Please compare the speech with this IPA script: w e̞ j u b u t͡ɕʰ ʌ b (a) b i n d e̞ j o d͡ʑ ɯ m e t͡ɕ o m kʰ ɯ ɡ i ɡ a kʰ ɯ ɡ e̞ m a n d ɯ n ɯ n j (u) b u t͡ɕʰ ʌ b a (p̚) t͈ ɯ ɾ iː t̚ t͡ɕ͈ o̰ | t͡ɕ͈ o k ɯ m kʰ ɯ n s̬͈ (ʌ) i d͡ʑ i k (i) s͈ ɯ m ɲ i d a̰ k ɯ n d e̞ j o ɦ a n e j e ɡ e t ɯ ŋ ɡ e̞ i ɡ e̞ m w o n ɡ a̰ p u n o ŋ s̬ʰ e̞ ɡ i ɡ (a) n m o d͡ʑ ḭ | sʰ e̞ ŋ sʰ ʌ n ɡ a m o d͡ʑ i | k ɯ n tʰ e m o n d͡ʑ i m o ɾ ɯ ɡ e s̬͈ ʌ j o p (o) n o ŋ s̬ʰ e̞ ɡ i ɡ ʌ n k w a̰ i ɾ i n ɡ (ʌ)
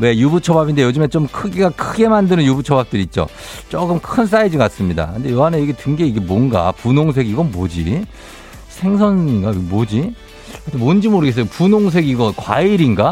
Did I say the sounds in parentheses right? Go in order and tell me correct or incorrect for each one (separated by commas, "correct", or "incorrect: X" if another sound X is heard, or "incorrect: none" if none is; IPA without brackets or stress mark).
correct, correct, correct, incorrect: a, incorrect: a, incorrect: ʌ, incorrect: u, incorrect: a